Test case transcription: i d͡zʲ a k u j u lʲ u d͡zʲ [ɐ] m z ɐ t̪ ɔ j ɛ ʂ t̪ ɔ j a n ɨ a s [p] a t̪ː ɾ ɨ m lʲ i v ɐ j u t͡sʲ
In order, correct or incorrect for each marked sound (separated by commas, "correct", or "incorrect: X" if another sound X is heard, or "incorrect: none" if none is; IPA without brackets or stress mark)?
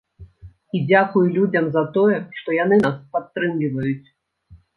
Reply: correct, correct